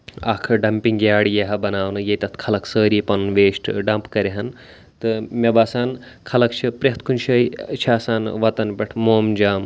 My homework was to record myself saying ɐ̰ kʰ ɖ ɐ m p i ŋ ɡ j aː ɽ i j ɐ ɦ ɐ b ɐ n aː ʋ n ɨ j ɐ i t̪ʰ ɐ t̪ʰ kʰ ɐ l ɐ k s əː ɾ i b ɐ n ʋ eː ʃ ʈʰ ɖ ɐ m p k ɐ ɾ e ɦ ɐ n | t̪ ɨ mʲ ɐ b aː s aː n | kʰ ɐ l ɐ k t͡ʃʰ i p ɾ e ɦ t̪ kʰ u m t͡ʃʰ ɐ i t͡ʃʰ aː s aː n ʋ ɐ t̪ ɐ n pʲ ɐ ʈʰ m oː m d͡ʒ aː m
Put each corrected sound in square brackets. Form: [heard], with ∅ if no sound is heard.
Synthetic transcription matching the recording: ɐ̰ kʰ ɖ ɐ m p i ŋ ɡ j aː ɽ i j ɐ ɦ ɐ b ɐ n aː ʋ n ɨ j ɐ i [t̪] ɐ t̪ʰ kʰ ɐ l ɐ k s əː ɾ i [p] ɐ n ʋ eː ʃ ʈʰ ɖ ɐ m p k ɐ ɾ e ɦ ɐ n | t̪ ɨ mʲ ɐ b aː s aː n | kʰ ɐ l ɐ k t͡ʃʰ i p ɾ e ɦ t̪ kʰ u [n] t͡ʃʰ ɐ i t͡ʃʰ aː s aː n ʋ ɐ t̪ ɐ n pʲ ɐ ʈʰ m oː m d͡ʒ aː m

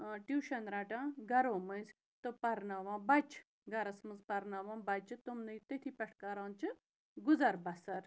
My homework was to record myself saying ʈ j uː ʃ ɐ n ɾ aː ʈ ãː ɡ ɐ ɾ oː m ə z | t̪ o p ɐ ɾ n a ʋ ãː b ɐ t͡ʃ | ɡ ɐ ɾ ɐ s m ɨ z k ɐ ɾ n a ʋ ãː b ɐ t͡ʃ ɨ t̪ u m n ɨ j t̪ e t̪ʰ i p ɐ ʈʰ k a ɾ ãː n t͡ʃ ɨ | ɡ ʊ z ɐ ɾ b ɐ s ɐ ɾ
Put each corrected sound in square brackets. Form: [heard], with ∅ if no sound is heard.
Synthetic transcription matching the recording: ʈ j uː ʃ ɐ n ɾ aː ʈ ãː ɡ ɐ ɾ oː m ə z | t̪ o p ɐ ɾ n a ʋ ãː b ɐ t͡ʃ | ɡ ɐ ɾ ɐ s m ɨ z [p] ɐ ɾ n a ʋ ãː b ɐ t͡ʃ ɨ t̪ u m n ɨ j t̪ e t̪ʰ i p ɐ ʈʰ k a ɾ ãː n t͡ʃ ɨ | ɡ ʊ z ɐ ɾ b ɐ s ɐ ɾ

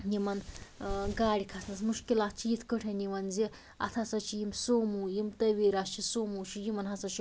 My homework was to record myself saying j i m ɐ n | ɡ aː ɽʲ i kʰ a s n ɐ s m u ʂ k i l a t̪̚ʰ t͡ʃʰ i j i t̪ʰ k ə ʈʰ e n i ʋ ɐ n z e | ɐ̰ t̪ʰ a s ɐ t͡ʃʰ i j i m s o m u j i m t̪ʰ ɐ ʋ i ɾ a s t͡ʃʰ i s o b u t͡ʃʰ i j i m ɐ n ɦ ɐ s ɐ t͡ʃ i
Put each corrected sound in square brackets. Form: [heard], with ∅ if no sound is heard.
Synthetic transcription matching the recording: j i m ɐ n | ɡ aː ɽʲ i kʰ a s n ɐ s m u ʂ k i l a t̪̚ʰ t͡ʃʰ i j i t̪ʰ k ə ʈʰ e n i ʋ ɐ n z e | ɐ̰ t̪ʰ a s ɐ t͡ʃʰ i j i m s o m u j i m [t̪] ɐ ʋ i ɾ a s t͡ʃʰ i s o [m] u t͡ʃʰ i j i m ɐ n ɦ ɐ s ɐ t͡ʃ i

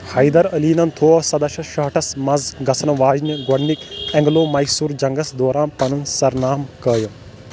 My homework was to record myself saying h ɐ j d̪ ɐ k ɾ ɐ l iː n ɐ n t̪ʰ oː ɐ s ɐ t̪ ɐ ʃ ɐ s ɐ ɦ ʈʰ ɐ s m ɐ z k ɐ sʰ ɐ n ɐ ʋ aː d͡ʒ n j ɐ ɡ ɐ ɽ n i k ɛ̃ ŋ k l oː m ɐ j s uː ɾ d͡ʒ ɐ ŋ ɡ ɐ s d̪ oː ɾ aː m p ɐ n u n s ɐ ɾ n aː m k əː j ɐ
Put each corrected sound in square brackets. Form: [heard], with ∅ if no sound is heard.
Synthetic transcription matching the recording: h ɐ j d̪ ɐ [∅] ɾ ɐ l iː n ɐ n t̪ʰ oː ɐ s ɐ [d̪] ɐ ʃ ɐ [ʃ] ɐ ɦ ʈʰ ɐ s m ɐ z [ɡ] ɐ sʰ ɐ n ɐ ʋ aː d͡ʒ n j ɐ ɡ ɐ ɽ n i k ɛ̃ ŋ [ɡ] l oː m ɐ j s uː ɾ d͡ʒ ɐ ŋ ɡ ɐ s d̪ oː ɾ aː [n] p ɐ n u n s ɐ ɾ n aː m k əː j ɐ

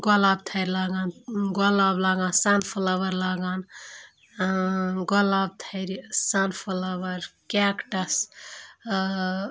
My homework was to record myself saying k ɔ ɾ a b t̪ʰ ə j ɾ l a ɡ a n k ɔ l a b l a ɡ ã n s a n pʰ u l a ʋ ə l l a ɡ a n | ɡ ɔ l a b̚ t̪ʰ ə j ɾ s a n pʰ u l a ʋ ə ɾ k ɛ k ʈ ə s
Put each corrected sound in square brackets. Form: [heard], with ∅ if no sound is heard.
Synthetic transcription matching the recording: [ɡ] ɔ [l] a b t̪ʰ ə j ɾ l a ɡ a n [ɡ] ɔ l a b l a ɡ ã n s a n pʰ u l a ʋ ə [ɾ] l a ɡ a n | ɡ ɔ l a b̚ t̪ʰ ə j ɾ s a n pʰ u l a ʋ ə ɾ k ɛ k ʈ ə s

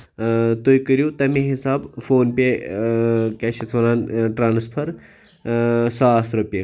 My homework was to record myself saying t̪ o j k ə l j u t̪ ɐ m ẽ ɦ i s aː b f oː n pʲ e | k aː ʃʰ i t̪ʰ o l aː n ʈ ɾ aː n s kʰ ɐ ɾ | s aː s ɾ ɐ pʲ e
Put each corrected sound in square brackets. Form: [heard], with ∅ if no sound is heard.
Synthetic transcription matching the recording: t̪ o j k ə [ɾ] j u t̪ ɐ m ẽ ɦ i s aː b f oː n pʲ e | k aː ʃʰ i t̪ʰ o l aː n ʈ ɾ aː n s [pʰ] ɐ ɾ | s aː s ɾ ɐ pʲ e

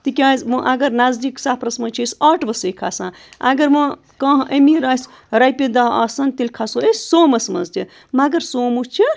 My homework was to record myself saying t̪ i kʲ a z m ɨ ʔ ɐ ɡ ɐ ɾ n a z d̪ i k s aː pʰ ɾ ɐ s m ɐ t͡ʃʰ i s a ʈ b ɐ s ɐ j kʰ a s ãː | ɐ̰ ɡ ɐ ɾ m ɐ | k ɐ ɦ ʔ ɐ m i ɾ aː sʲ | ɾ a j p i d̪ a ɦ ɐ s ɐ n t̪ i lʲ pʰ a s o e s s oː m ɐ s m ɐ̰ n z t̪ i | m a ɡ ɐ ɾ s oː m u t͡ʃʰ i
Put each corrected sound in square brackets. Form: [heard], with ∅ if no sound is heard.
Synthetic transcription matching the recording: t̪ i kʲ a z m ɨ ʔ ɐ ɡ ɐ ɾ n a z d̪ i k s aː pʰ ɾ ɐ s m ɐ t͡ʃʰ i s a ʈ b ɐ s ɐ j kʰ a s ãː | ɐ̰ ɡ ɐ ɾ m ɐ | k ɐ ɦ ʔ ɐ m i ɾ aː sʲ | ɾ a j p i d̪ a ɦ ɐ s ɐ n t̪ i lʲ [kʰ] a s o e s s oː m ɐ s m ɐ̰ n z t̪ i | m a ɡ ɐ ɾ s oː m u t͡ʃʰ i

